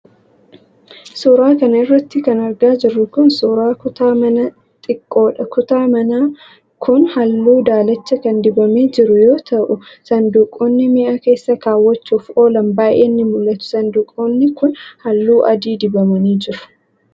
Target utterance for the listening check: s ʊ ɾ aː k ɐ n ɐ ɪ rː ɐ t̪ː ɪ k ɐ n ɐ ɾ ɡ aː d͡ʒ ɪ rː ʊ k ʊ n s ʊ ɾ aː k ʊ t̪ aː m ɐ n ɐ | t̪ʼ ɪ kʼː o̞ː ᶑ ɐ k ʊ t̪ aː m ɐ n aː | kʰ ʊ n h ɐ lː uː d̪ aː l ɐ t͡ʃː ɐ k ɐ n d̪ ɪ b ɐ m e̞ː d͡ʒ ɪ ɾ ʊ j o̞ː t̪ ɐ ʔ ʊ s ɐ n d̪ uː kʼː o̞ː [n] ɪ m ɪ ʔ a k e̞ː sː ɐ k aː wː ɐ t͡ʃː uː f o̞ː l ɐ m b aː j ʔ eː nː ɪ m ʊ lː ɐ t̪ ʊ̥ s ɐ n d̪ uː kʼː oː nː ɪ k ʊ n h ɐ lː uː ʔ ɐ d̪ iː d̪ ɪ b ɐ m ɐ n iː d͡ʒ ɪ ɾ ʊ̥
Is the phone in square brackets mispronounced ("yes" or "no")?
yes